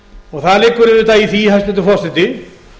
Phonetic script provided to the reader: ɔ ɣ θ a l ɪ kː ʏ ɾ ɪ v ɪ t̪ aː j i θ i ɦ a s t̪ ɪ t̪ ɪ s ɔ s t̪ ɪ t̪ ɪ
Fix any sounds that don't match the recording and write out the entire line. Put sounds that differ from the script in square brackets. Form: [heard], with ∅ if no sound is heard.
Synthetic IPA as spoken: ɔ ɣ θ a l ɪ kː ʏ ɾ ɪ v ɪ t̪ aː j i θ i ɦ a s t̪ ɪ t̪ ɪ [f] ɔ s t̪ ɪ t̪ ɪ